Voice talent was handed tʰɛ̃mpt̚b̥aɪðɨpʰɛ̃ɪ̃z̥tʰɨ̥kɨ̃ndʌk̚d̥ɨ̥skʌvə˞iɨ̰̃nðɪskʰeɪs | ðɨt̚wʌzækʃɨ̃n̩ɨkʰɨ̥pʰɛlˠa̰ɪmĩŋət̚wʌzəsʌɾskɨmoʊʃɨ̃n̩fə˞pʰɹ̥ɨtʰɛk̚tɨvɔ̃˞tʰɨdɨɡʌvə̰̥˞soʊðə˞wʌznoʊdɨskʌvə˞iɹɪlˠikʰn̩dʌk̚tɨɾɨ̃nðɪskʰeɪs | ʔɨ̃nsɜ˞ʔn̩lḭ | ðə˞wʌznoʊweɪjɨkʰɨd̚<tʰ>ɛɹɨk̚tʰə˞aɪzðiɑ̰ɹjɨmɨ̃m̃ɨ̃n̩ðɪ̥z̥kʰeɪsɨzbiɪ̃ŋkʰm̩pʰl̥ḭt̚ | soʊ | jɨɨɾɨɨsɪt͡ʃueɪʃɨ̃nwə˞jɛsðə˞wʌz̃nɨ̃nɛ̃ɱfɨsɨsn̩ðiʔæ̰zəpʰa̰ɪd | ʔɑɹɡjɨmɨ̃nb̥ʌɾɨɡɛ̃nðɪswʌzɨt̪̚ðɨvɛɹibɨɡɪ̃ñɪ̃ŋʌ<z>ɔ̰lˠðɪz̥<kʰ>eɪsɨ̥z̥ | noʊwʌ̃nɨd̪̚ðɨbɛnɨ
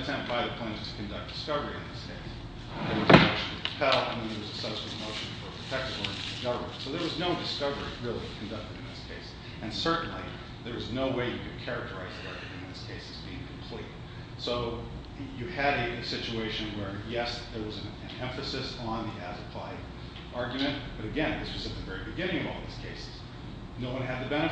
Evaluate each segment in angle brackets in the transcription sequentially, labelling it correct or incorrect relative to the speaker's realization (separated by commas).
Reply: incorrect, incorrect, correct